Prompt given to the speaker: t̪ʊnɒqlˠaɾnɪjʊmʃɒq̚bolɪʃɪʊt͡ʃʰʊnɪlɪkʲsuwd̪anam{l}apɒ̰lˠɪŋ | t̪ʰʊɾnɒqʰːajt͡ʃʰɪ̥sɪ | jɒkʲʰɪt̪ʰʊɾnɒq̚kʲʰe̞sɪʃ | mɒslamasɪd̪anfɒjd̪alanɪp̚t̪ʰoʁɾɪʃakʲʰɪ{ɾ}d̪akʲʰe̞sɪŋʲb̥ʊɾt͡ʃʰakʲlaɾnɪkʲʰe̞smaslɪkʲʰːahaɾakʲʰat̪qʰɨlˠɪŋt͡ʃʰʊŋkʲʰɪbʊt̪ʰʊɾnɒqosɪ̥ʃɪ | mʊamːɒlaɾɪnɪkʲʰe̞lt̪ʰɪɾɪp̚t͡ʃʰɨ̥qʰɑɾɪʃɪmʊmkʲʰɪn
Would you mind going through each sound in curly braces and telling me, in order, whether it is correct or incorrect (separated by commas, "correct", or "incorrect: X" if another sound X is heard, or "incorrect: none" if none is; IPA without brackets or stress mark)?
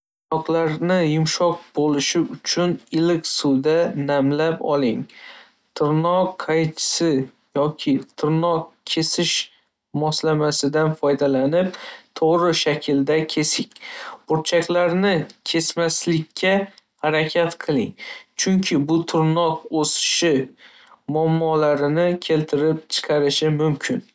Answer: correct, incorrect: l